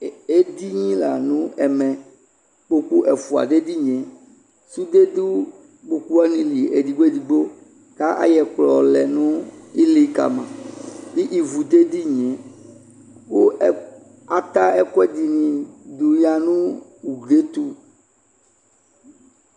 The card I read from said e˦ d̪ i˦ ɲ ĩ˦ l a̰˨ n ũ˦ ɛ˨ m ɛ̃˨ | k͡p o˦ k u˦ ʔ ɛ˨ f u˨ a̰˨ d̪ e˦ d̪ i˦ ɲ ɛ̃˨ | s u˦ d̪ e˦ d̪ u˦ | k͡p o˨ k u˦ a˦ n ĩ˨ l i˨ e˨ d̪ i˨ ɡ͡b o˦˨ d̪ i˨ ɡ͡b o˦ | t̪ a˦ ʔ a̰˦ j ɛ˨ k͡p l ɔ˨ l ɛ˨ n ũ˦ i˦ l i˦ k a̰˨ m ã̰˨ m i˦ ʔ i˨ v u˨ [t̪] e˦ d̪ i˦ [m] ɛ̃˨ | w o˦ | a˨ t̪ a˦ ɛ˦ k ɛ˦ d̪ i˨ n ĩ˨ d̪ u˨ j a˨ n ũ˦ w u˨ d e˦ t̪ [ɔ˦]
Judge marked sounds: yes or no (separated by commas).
no, no, no